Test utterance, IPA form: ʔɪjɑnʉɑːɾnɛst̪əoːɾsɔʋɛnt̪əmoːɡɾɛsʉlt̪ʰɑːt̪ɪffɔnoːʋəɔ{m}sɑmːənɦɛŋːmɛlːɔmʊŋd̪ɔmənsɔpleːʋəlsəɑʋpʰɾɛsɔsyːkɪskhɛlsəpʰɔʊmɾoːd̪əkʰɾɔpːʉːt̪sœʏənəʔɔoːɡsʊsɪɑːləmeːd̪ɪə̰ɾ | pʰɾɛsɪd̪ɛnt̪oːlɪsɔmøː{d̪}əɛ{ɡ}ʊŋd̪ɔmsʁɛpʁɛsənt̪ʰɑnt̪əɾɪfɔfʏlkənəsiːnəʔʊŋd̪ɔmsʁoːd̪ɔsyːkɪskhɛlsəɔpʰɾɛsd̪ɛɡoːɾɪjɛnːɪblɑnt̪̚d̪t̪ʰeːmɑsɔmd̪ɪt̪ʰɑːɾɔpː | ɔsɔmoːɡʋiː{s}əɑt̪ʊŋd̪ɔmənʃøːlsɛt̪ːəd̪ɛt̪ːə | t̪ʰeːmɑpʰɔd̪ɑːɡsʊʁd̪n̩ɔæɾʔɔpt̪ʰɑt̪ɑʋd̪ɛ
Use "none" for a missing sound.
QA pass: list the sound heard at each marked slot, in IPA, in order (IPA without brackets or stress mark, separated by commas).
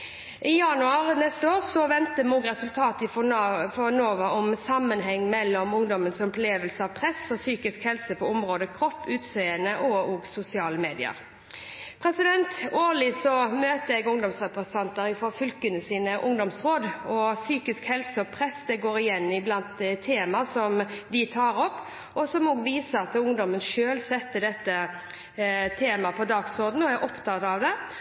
m, t̪, ɡ, s